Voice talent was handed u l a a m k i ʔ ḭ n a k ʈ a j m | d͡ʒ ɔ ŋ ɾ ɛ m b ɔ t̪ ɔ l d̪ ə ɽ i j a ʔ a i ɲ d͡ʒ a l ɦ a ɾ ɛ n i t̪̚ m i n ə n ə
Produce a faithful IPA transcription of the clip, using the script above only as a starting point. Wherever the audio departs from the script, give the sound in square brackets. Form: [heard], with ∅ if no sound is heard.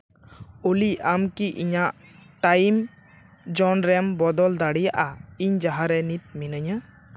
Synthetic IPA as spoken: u l [i] a m k i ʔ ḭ [ɲ] a [ʔ] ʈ a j m | d͡ʒ ɔ [n] ɾ ɛ m b ɔ [d̪] ɔ l d̪ [a] ɽ i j a ʔ a i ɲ d͡ʒ a [∅] ɦ a ɾ ɛ n i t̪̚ m i n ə [ɲ] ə

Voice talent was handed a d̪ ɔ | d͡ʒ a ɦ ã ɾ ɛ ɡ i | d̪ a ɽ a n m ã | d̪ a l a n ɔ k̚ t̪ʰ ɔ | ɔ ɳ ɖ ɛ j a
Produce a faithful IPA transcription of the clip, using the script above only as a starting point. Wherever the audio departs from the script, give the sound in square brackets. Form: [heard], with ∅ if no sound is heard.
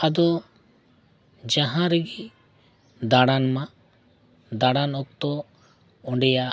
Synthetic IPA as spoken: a d̪ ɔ | d͡ʒ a ɦ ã ɾ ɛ ɡ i | d̪ a ɽ a n m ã | d̪ a [ɽ] a n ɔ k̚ [t̪] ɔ | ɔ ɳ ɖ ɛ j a

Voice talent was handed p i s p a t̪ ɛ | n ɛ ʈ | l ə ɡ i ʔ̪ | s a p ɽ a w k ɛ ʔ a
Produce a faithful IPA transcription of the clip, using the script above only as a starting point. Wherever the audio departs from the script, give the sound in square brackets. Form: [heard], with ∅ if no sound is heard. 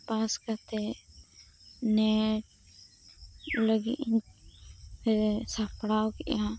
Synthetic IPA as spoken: p [a] s [k] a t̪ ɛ | n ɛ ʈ | l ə ɡ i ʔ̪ | s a p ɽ a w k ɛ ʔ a

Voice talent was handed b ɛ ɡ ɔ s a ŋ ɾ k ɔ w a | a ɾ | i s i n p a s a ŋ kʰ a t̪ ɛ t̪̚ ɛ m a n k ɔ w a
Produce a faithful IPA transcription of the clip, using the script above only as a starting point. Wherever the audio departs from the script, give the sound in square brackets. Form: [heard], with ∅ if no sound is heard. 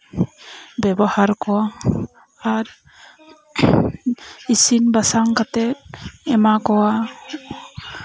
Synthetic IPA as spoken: b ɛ [b] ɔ [h] a [∅] ɾ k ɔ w a | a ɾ | i s i n [b] a s a ŋ [k] a t̪ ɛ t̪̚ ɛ m a [∅] k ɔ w a

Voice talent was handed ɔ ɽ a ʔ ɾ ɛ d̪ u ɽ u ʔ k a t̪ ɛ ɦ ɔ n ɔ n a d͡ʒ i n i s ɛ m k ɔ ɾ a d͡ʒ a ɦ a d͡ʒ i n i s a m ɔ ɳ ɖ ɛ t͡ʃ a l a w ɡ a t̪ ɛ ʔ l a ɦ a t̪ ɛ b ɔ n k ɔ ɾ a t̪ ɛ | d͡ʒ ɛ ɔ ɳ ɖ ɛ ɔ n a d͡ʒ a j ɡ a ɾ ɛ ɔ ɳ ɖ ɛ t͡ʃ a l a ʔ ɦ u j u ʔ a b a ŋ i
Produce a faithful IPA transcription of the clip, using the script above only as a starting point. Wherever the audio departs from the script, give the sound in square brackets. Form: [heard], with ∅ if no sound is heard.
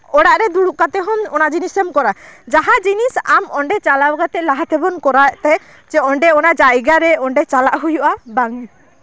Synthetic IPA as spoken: ɔ ɽ a ʔ ɾ ɛ d̪ u ɽ u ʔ k a t̪ ɛ ɦ ɔ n ɔ n a d͡ʒ i n i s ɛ m k ɔ ɾ a d͡ʒ a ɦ a d͡ʒ i n i s a m ɔ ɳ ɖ ɛ t͡ʃ a l a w ɡ a t̪ ɛ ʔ l a ɦ a t̪ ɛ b ɔ n k ɔ ɾ a t̪ ɛ | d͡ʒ ɛ ɔ ɳ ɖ ɛ ɔ n a d͡ʒ a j ɡ a ɾ ɛ ɔ ɳ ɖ ɛ t͡ʃ a l a ʔ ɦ u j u ʔ a b a ŋ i

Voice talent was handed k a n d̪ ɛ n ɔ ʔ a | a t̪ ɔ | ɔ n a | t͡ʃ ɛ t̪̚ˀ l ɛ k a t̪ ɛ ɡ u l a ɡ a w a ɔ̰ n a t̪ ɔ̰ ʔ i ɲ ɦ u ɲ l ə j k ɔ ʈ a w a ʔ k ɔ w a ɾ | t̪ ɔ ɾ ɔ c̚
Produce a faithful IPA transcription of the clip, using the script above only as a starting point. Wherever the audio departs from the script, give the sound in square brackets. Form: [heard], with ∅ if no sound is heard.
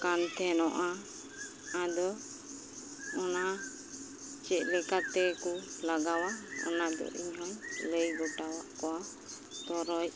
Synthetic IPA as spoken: k a n [t̪] ɛ n ɔ ʔ a | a [d̪] ɔ | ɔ n a | t͡ʃ ɛ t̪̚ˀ l ɛ k a t̪ ɛ [k] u l a ɡ a w a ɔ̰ n a [d̪] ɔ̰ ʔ i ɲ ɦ [ɔ] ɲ l ə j [ɡ] ɔ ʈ a w a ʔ k ɔ w a [∅] | t̪ ɔ ɾ ɔ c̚

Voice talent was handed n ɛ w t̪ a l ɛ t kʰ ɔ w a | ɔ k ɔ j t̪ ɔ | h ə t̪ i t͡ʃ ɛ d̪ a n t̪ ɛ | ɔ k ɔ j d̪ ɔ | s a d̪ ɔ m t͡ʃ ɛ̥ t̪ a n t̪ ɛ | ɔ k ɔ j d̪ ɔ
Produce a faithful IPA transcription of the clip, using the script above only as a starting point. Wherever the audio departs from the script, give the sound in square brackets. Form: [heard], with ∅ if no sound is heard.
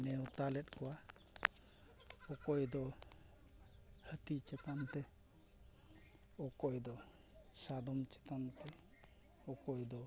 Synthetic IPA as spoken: n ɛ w t̪ a l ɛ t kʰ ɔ w a | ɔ k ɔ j [d̪] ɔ | h ə t̪ i t͡ʃ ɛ [t̪] a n t̪ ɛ | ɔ k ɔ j d̪ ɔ | s a d̪ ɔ m t͡ʃ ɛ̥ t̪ a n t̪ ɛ | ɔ k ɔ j d̪ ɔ

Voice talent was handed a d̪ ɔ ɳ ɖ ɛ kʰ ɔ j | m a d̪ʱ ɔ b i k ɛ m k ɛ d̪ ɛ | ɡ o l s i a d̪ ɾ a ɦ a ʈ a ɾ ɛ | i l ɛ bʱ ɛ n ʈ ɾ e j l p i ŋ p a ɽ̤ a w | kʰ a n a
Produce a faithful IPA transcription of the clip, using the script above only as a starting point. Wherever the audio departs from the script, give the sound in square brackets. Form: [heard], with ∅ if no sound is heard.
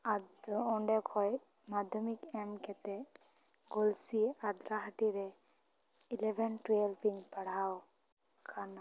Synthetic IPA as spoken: a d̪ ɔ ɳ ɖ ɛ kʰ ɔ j | m a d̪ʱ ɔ [m] i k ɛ m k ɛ [t̪] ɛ | ɡ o l s i a d̪ ɾ a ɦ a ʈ [i] ɾ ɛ | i l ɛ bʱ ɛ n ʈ ɾ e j l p i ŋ p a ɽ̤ a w | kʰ a n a

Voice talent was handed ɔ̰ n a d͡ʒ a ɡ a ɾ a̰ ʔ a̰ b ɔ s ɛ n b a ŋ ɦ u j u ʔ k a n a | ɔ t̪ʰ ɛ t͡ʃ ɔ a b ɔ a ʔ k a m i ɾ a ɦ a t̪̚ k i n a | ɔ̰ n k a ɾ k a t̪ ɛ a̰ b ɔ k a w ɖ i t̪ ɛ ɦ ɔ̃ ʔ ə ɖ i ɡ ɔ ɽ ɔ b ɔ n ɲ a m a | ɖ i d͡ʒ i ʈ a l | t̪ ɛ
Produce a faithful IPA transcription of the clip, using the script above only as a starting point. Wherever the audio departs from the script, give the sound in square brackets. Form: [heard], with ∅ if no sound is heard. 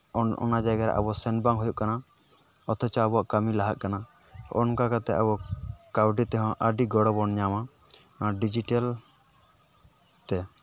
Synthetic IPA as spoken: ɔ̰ n a d͡ʒ a ɡ a ɾ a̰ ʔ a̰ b ɔ s ɛ n b a ŋ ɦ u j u ʔ k a n a | ɔ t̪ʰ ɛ t͡ʃ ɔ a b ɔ a ʔ k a m i [l] a ɦ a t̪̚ k [a] n a | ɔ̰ n k a [∅] k a t̪ ɛ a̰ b ɔ k a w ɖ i t̪ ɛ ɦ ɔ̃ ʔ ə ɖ i ɡ ɔ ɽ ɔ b ɔ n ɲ a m a | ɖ i d͡ʒ i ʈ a l | t̪ ɛ

